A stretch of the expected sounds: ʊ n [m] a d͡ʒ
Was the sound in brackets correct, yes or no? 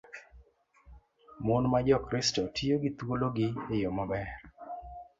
yes